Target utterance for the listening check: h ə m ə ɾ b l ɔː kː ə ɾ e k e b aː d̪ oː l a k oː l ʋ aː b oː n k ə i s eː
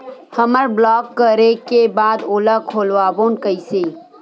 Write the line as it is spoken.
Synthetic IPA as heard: h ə m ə ɾ b l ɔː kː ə ɾ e k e b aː d̪ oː l a kʰ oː l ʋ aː b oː n k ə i s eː